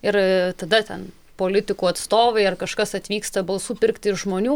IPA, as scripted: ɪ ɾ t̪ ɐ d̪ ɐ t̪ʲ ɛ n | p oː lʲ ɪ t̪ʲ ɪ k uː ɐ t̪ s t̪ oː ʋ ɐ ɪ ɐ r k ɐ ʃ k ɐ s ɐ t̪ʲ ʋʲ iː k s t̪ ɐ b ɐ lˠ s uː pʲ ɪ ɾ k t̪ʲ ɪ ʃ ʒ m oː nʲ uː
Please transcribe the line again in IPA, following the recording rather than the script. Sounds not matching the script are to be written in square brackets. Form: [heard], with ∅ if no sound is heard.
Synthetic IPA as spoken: ɪ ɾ t̪ ɐ d̪ ɐ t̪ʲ ɛ n | p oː lʲ ɪ t̪ʲ ɪ k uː ɐ t̪ s t̪ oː ʋ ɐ ɪ ɐ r k ɐ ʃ k ɐ s ɐ t̪ʲ ʋʲ iː k s t̪ ɐ b ɐ lˠ s uː pʲ ɪ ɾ k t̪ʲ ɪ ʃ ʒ m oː nʲ uː

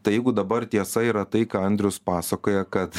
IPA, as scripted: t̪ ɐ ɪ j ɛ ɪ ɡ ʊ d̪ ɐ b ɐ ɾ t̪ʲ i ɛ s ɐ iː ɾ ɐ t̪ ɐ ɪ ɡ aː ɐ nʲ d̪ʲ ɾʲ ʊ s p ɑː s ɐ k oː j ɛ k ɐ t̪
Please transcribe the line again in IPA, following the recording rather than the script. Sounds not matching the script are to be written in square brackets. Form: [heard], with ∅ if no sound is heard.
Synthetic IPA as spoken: t̪ ɐ ɪ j ɛ ɪ ɡ ʊ d̪ ɐ b ɐ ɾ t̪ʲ i ɛ s ɐ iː ɾ ɐ t̪ ɐ ɪ [k] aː ɐ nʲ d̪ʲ ɾʲ ʊ s p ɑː s ɐ k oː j ɛ k ɐ t̪

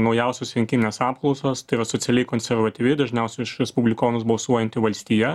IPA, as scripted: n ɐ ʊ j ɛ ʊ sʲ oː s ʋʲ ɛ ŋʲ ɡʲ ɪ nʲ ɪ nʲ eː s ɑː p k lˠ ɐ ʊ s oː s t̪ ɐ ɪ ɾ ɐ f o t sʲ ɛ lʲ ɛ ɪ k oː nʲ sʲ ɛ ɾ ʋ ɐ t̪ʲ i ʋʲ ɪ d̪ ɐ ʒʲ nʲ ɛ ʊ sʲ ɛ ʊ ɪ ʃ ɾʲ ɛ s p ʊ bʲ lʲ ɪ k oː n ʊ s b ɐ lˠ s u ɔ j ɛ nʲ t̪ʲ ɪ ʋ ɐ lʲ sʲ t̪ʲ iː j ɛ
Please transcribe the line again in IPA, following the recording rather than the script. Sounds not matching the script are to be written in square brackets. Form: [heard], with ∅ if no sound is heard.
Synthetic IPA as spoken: n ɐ ʊ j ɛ ʊ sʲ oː s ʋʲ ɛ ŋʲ [kʲ] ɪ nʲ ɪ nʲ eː s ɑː p k lˠ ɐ ʊ s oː s t̪ ɐ ɪ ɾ ɐ [s] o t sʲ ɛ lʲ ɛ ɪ k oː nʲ sʲ ɛ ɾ ʋ ɐ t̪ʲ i ʋʲ ɪ d̪ ɐ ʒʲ nʲ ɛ ʊ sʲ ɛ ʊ ɪ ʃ ɾʲ ɛ s p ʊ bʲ lʲ ɪ k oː n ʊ s b ɐ lˠ s u ɔ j ɛ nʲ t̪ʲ ɪ ʋ ɐ lʲ sʲ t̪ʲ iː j ɛ

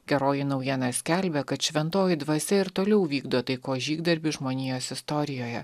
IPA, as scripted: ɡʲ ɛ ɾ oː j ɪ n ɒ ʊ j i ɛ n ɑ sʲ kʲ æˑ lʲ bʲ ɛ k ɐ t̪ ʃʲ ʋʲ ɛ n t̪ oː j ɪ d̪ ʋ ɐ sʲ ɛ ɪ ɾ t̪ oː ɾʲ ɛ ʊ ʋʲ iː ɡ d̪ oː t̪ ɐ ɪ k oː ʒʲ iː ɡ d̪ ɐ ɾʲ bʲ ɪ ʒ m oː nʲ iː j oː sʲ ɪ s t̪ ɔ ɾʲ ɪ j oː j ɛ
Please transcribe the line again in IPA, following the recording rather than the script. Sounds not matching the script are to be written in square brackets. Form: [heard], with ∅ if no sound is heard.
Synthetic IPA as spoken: ɡʲ ɛ ɾ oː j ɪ n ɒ ʊ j i ɛ n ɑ sʲ kʲ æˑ lʲ bʲ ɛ k ɐ t̪ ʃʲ ʋʲ ɛ n t̪ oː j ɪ d̪ ʋ ɐ sʲ ɛ ɪ ɾ t̪ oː [lʲ] ɛ ʊ ʋʲ iː ɡ d̪ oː t̪ ɐ ɪ k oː ʒʲ iː ɡ d̪ ɐ ɾʲ bʲ ɪ ʒ m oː nʲ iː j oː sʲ ɪ s t̪ ɔ ɾʲ ɪ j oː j ɛ

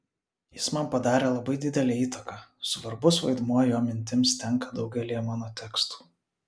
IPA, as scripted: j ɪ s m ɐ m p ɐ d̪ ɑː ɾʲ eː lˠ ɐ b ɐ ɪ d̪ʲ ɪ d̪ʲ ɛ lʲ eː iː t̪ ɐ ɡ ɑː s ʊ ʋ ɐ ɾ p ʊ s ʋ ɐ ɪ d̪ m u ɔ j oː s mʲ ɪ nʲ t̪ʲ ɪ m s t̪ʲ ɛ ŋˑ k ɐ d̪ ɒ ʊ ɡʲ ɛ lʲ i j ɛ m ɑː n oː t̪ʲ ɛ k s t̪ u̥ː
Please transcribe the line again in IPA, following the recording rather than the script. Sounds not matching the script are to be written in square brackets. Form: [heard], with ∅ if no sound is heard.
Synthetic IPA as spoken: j ɪ s m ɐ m p ɐ d̪ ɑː ɾʲ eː lˠ ɐ b ɐ ɪ d̪ʲ ɪ d̪ʲ ɛ lʲ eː iː t̪ ɐ [k] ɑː s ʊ ʋ ɐ ɾ [b] ʊ s ʋ ɐ ɪ d̪ m u ɔ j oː [∅] mʲ ɪ nʲ t̪ʲ ɪ m s t̪ʲ ɛ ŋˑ k ɐ d̪ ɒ ʊ ɡʲ ɛ lʲ i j ɛ m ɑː n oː t̪ʲ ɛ k s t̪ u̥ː

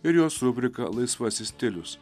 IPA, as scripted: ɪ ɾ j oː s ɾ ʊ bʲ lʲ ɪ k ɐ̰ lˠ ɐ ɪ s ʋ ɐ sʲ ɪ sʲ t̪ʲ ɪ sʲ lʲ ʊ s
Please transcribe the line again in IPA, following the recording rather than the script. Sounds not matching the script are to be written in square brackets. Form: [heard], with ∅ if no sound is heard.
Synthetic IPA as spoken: ɪ ɾ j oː s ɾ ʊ bʲ [ɾʲ] ɪ k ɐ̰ lˠ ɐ ɪ s ʋ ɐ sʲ ɪ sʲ t̪ʲ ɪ [∅] lʲ ʊ s

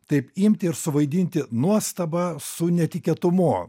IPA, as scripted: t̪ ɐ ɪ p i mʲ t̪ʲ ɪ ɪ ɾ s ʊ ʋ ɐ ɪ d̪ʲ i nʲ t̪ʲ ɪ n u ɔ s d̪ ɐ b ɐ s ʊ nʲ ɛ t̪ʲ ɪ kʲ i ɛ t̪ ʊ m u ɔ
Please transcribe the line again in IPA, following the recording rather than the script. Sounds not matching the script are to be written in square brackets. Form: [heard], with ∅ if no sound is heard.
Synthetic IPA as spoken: t̪ ɐ ɪ p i mʲ t̪ʲ ɪ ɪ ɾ s ʊ ʋ ɐ ɪ d̪ʲ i nʲ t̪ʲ ɪ n u ɔ s [t̪] ɐ b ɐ s ʊ nʲ ɛ t̪ʲ ɪ kʲ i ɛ t̪ ʊ m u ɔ

